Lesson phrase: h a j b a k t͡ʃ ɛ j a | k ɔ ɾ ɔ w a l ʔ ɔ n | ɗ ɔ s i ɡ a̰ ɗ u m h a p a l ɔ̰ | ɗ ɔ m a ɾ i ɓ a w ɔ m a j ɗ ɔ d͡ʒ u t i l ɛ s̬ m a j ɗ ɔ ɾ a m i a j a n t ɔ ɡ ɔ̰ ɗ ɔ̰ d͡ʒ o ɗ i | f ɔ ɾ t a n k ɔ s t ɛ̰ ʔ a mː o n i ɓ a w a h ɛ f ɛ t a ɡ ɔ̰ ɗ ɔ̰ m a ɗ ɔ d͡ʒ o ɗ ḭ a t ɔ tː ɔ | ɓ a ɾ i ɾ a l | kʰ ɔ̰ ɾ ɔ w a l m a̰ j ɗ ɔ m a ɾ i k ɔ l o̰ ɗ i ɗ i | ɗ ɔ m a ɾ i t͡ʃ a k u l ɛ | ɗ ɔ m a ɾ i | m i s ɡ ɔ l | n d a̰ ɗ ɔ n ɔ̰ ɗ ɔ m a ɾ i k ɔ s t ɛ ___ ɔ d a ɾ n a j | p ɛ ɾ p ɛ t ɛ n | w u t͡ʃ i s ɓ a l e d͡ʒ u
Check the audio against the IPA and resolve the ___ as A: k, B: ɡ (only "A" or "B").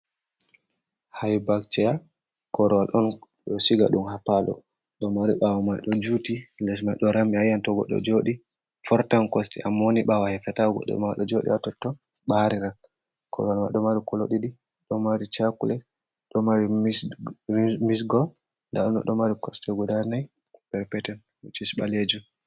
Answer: B